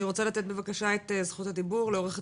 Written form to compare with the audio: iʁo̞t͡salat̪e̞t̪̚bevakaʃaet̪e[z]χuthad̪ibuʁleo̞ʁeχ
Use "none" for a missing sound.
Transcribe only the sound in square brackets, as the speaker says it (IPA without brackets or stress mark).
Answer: z